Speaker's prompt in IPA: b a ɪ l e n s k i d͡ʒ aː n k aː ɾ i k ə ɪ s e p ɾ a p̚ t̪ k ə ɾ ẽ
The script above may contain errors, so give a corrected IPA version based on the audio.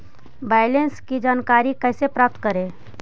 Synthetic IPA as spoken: b a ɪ l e n s k i d͡ʒ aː n k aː ɾ i k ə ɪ s e p ɾ a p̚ t̪ k ə ɾ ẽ

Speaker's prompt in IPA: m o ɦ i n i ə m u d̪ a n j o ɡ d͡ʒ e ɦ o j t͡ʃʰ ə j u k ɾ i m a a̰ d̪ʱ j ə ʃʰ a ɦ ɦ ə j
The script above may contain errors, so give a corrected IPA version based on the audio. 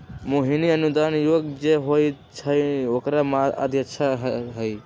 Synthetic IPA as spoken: m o ɦ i n i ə n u d̪ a n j o ɡ d͡ʒ e ɦ o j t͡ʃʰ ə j o k ɾ a m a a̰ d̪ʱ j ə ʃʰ a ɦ ɦ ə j

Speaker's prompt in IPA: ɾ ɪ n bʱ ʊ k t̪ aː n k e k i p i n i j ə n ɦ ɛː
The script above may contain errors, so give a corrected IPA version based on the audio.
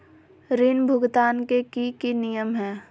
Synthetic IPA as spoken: ɾ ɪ n bʱ ʊ ɡ t̪ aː n k e k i k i n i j ə m ɦ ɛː

